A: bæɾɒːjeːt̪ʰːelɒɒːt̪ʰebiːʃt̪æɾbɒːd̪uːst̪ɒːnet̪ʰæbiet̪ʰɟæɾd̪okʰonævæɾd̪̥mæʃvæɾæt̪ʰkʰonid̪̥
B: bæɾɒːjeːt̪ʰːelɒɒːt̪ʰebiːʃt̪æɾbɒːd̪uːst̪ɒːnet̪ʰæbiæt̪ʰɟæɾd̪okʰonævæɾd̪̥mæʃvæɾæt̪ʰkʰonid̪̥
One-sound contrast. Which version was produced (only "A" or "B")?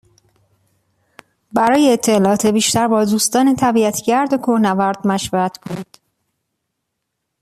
B